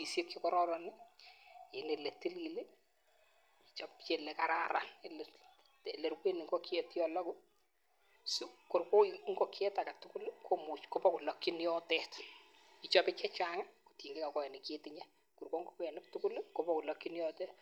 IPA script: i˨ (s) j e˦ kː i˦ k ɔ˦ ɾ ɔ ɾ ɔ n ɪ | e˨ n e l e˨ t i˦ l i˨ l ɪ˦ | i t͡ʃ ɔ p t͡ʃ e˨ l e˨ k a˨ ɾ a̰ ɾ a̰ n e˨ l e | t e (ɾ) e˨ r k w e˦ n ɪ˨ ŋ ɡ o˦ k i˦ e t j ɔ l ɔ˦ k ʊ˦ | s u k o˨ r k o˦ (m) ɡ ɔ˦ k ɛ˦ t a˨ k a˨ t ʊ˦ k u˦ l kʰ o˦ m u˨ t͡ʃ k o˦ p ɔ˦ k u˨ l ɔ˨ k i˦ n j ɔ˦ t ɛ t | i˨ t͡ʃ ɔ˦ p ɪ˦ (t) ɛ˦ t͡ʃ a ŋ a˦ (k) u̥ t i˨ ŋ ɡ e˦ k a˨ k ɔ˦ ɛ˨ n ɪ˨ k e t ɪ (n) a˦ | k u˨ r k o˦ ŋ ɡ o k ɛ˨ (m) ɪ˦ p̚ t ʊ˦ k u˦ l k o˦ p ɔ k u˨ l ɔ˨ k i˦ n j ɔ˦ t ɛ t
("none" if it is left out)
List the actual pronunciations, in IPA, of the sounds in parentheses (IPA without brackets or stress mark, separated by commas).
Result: s, l, ŋ, t͡ʃ, k, ɲ, n